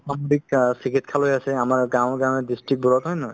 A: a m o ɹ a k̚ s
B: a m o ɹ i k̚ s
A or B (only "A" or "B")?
B